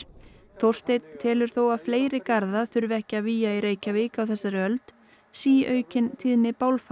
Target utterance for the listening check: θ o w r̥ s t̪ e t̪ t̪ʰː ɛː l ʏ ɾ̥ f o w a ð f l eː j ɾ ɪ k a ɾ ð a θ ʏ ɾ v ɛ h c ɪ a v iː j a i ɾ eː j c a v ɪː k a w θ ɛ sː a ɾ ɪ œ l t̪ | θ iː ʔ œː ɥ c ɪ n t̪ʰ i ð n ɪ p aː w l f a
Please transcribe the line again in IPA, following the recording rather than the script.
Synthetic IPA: θ o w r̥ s t̪ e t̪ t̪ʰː ɛː l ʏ ɾ̥ θ o w a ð f l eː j ɾ ɪ k a ɾ ð a θ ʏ ɾ v ɛ h c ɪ a v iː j a i ɾ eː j c a v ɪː k a w θ ɛ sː a ɾ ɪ œ l t̪ | s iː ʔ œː ɥ c ɪ n t̪ʰ i ð n ɪ p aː w l f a